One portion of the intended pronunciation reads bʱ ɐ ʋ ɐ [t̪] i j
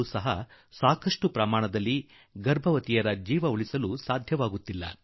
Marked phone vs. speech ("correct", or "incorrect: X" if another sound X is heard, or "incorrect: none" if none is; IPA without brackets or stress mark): correct